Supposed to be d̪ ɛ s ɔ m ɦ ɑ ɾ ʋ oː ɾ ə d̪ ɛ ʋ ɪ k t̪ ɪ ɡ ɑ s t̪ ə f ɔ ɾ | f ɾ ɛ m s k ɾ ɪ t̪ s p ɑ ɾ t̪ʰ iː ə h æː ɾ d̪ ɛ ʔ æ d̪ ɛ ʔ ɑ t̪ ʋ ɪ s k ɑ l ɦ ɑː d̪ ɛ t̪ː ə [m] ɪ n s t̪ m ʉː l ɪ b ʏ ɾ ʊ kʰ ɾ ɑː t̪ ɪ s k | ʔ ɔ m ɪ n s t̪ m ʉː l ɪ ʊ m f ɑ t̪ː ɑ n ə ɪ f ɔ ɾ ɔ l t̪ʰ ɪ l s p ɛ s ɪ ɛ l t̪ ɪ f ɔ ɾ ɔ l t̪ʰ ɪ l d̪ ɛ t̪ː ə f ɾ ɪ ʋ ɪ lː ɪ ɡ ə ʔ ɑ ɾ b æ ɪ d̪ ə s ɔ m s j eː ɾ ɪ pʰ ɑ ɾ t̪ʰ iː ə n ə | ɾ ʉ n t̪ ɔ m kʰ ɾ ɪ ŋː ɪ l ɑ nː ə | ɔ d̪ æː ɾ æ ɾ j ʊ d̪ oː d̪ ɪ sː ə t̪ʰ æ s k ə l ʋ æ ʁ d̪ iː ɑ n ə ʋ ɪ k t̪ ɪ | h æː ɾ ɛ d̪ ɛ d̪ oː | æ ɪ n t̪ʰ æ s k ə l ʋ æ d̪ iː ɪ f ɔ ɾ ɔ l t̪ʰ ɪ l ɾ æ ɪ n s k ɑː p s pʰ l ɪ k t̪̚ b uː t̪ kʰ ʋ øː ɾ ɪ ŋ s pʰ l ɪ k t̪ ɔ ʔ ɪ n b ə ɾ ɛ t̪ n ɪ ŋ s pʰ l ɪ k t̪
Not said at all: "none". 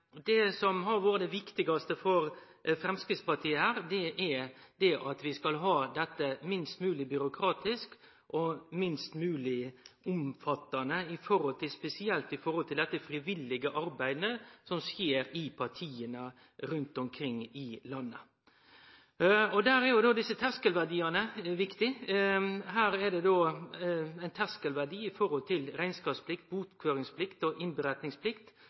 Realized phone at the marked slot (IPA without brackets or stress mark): m